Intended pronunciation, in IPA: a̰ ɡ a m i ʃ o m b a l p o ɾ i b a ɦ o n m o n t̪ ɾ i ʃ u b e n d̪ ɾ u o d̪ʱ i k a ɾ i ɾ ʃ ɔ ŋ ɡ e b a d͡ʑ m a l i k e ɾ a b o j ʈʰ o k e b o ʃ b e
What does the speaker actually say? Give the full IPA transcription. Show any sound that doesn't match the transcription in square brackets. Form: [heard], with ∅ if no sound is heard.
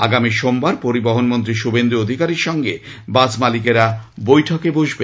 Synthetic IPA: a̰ ɡ a m i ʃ o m b a [ɾ] p o ɾ i b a ɦ o n m o n t̪ ɾ i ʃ u b e n d̪ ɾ u o d̪ʱ i k a ɾ i ɾ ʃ ɔ ŋ ɡ e b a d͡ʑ m a l i k e ɾ a b o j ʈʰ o k e b o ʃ b e